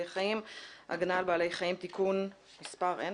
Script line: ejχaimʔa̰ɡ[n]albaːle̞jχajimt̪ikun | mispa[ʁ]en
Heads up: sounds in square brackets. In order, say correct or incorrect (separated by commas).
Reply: correct, correct